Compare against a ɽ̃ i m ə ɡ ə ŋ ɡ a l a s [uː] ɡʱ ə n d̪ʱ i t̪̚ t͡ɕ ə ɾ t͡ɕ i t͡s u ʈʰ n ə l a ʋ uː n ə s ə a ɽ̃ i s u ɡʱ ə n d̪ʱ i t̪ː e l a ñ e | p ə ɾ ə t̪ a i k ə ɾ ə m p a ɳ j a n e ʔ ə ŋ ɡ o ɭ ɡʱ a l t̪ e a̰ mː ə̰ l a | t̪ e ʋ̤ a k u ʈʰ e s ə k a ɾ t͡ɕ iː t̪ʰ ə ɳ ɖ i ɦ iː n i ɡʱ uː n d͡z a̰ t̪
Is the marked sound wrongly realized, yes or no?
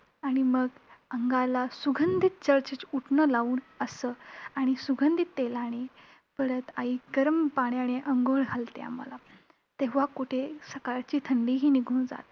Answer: yes